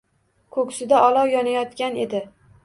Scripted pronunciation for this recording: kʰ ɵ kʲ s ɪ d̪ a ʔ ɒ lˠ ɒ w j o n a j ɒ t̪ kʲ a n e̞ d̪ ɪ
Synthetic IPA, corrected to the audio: kʰ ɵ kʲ s ɪ d̪ a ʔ ɒ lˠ ɒ w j ɒ n a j ɒ t̪ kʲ a n e̞ d̪ ɪ